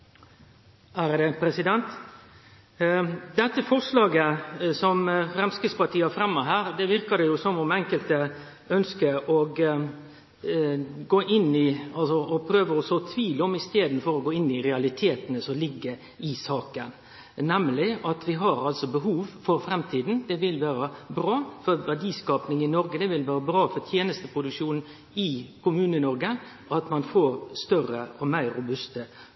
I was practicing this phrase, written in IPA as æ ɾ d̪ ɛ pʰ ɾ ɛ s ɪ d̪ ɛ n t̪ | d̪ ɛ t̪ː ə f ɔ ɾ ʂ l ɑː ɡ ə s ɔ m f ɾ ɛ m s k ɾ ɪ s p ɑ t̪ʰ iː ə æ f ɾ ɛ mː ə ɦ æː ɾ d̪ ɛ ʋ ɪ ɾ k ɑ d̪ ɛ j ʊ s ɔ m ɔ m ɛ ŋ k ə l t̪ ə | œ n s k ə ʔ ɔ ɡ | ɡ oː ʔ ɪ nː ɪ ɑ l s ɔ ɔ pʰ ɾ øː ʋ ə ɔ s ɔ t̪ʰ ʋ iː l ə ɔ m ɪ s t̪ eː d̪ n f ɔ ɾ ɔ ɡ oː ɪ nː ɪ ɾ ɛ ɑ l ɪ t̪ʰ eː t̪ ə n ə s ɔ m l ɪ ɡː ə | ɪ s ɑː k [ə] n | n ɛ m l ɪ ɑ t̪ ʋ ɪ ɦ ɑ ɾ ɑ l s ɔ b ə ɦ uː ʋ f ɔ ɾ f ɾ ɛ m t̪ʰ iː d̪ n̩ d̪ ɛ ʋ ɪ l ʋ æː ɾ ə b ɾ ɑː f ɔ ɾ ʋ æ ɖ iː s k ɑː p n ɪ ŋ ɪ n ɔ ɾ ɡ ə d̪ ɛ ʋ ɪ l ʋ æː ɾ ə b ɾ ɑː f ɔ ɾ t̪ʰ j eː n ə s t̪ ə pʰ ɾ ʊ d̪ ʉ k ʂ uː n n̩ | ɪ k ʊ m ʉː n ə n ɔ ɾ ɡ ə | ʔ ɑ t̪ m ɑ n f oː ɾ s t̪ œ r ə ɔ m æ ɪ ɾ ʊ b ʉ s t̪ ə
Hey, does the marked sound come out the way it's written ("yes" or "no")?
yes